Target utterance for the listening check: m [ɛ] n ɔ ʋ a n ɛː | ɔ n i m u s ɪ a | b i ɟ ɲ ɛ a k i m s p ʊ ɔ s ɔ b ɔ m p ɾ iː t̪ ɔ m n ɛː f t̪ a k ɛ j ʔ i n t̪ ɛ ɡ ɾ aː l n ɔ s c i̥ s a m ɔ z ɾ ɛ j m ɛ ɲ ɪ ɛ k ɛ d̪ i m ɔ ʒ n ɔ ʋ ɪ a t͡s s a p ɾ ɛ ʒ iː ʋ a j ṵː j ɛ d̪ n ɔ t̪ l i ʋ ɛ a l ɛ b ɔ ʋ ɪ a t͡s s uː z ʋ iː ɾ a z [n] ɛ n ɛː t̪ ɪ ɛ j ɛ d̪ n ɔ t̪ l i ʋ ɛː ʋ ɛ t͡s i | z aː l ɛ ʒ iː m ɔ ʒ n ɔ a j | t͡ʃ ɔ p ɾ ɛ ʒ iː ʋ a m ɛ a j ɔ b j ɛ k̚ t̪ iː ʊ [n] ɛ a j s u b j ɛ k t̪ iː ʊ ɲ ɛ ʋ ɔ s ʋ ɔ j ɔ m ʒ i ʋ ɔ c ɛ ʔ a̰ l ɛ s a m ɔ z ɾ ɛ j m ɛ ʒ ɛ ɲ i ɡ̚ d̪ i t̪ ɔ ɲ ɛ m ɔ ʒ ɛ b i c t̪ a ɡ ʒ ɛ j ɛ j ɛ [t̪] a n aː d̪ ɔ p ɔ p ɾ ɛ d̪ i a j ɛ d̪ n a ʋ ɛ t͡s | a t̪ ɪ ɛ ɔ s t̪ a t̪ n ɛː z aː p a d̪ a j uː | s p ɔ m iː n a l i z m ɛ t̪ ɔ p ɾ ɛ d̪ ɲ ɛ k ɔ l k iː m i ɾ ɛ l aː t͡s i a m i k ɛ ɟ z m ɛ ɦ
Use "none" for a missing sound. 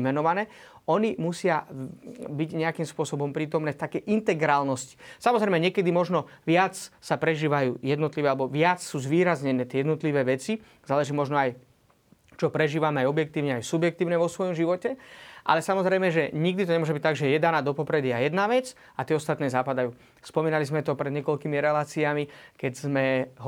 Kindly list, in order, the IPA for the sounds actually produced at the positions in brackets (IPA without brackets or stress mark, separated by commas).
ɛ, ɲ, ɲ, d̪